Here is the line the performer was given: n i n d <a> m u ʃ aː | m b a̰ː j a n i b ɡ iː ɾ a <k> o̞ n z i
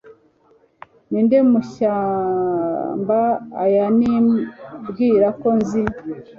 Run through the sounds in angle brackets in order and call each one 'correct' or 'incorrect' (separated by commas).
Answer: incorrect, correct